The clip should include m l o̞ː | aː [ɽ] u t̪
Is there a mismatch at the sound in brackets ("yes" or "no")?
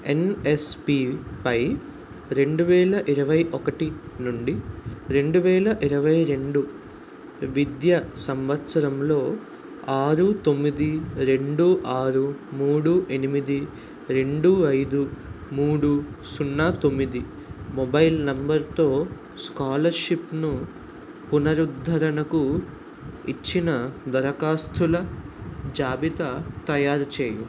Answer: yes